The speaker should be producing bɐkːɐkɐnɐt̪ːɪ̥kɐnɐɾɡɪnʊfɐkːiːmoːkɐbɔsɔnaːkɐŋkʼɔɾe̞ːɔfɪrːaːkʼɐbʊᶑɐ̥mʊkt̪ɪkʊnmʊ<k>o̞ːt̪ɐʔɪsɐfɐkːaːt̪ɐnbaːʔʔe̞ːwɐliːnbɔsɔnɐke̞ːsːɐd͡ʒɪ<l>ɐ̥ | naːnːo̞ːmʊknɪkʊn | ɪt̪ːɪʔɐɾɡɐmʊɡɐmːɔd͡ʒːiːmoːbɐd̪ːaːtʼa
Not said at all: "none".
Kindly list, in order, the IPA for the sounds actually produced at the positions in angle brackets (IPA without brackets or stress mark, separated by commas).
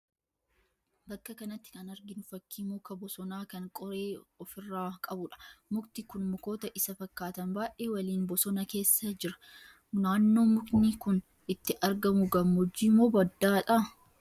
k, ɾ